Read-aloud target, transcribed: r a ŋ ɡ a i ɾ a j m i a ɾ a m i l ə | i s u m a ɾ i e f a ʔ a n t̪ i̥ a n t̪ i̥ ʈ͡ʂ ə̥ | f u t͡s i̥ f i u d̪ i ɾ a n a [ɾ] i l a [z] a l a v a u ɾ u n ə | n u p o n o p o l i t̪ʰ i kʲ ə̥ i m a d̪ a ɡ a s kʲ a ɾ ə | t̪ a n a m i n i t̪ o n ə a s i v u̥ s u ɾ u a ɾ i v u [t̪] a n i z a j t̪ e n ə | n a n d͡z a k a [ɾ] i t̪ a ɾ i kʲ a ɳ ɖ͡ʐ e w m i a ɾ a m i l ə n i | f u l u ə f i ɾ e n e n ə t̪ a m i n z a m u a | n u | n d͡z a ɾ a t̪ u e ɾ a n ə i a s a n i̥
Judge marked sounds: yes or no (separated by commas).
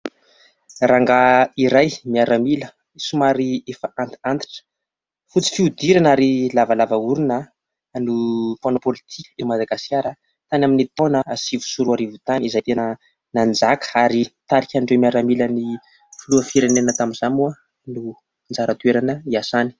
yes, no, yes, yes